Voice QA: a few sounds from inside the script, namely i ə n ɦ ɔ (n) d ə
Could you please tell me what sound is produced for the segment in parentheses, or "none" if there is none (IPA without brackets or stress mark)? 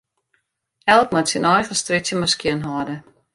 none